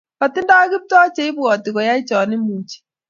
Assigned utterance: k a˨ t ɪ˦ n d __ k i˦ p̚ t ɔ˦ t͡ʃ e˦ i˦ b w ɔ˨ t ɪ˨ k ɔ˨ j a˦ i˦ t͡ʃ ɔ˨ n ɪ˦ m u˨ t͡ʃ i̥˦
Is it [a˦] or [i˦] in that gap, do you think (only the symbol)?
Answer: a˦